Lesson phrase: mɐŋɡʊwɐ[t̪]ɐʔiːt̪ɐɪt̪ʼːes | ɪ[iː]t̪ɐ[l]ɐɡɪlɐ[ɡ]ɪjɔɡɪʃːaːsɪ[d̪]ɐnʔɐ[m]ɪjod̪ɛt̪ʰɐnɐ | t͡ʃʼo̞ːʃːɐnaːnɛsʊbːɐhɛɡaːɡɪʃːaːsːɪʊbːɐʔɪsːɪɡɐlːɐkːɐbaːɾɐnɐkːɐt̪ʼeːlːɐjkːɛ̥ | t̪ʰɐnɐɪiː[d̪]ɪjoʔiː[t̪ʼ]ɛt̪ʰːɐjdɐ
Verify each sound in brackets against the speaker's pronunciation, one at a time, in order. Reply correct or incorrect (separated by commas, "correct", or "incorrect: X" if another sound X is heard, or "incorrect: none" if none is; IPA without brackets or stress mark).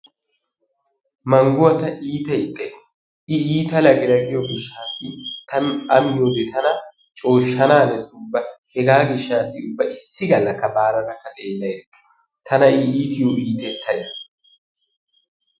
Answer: correct, correct, correct, correct, incorrect: t̪, correct, incorrect: t̪, incorrect: t̪